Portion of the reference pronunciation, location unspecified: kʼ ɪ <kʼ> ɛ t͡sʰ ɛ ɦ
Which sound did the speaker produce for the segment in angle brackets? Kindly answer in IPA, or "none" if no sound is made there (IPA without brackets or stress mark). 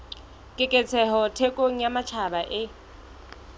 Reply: kʼ